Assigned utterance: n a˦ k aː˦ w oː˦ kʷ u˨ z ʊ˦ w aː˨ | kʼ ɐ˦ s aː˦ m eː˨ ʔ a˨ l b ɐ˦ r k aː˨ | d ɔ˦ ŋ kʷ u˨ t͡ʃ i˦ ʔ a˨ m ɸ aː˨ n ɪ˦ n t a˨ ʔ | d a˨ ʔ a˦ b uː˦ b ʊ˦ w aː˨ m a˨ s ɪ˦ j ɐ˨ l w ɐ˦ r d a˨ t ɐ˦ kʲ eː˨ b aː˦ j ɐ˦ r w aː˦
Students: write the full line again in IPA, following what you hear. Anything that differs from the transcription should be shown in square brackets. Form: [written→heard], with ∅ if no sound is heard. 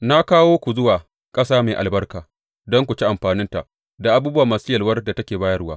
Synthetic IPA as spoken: n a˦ k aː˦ w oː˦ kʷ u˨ z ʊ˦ w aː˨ | kʼ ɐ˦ s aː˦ m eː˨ ʔ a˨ l b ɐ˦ r k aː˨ | d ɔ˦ ŋ kʷ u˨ t͡ʃ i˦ ʔ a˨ m ɸ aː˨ n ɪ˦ n t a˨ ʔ | d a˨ ʔ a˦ b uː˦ b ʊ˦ w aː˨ m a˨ s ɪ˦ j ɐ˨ l w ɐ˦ r d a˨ t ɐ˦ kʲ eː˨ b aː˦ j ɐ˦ r w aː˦

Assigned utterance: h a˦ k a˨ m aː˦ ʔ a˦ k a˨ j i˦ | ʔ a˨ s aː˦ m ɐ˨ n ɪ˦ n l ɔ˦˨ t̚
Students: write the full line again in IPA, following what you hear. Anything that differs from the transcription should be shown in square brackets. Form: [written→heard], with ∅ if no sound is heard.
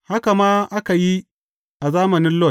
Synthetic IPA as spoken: h a˦ k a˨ m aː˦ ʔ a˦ k a˨ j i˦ | ʔ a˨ [s→z] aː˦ m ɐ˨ n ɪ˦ n l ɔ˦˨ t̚

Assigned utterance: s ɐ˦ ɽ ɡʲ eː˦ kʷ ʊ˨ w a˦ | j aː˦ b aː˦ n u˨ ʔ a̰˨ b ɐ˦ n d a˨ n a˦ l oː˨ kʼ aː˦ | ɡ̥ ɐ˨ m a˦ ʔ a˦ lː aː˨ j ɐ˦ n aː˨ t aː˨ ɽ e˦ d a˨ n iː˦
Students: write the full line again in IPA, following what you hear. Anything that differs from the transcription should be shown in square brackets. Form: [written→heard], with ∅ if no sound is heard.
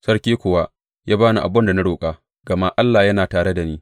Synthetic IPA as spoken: s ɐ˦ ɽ [ɡʲ→kʲ] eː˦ kʷ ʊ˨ w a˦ | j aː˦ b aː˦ n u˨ ʔ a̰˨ b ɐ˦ n d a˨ n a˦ [l→ɽ] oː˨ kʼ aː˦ | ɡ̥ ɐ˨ m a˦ ʔ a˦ lː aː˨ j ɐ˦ n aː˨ t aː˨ ɽ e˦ d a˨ n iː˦

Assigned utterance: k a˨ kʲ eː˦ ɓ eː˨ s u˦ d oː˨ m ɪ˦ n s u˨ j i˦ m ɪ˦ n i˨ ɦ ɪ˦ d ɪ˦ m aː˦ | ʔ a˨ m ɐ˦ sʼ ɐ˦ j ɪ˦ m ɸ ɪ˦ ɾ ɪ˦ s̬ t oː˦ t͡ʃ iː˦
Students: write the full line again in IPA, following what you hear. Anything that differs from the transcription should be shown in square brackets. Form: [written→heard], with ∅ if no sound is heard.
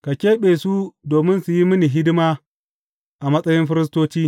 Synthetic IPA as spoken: k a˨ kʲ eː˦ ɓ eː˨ s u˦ d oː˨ m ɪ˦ n s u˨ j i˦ m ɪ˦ n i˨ ɦ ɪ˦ d ɪ˦ m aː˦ | ʔ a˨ m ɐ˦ sʼ ɐ˦ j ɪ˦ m ɸ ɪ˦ ɾ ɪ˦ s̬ t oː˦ t͡ʃ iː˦

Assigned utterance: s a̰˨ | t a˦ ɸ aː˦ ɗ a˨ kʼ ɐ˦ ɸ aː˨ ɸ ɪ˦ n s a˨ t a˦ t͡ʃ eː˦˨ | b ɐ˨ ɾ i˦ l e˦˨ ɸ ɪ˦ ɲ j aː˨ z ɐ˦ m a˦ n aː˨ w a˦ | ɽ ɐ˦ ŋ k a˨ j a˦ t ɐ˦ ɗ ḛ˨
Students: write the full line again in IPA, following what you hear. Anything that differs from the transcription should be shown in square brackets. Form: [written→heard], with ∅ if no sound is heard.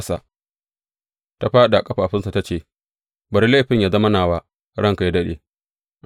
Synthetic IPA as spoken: s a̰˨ | t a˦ ɸ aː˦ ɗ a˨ kʼ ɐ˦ ɸ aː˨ ɸ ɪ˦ n s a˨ t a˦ t͡ʃ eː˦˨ | b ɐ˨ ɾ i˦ l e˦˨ ɸ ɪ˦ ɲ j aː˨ z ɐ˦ m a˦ n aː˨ w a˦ | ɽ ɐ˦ ŋ k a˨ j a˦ [t→d] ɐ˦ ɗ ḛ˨

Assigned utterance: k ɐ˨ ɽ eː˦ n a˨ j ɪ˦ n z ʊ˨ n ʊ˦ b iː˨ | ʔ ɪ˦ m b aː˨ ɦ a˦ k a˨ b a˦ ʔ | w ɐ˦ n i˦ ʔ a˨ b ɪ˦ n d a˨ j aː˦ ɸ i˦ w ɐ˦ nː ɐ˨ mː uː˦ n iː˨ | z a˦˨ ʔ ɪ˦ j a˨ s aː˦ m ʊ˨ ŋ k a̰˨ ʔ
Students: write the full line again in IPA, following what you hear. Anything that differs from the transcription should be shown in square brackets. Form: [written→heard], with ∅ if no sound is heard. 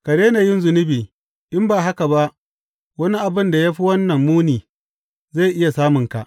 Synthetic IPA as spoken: k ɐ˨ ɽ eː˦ n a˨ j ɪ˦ n z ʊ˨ n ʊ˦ b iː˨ | ʔ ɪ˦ m b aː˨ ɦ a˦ k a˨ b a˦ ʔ | w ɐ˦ n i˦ ʔ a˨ b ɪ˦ n d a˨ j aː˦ ɸ i˦ w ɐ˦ nː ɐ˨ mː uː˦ n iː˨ | z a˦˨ ʔ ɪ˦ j a˨ s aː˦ m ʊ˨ ŋ k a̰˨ ʔ

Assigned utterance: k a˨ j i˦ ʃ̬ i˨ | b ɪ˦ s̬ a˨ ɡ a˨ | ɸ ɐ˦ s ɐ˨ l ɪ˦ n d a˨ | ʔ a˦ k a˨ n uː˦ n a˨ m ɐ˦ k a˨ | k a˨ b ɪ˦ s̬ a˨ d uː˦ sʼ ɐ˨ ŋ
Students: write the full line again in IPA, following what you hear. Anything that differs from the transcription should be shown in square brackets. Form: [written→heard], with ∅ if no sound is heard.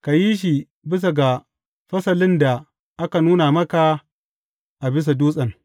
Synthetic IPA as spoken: k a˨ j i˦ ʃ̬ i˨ | b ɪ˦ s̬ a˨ ɡ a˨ | ɸ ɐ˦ s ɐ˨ l ɪ˦ n d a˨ | ʔ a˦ k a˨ n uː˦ n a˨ m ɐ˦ k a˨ | [k→ʔ] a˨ b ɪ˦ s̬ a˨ d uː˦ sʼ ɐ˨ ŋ

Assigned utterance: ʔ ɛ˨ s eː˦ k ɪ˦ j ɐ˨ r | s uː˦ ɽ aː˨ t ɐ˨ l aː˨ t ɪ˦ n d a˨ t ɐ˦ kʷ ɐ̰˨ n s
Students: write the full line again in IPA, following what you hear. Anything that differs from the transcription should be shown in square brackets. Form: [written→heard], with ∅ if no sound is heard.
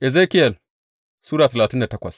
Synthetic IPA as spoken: ʔ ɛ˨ [s→z] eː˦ k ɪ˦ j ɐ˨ [r→l] | s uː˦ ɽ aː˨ t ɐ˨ l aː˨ t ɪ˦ n d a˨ t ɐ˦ kʷ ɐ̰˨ [n→∅] s

